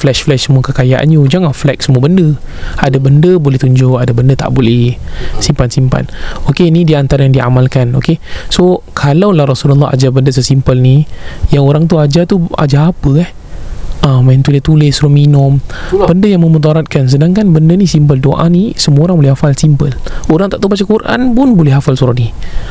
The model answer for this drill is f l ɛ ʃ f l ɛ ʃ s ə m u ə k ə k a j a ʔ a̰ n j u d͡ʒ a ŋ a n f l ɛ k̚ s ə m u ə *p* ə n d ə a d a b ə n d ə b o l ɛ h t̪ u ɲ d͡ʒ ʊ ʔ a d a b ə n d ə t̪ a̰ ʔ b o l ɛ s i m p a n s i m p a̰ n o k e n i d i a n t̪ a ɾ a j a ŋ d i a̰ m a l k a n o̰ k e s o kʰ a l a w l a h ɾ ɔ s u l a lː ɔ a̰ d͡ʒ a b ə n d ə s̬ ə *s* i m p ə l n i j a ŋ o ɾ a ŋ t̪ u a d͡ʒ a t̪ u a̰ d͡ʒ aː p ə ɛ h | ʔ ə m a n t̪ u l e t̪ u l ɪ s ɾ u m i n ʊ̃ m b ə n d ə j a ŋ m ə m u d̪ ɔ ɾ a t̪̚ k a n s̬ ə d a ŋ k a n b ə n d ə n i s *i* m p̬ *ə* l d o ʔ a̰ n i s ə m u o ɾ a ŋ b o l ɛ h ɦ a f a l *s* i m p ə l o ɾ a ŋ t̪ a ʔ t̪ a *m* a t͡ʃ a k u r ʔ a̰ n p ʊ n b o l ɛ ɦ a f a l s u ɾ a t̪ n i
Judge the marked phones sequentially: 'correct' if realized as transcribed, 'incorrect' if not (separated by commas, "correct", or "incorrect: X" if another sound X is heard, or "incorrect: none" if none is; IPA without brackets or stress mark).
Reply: incorrect: b, correct, correct, correct, correct, incorrect: b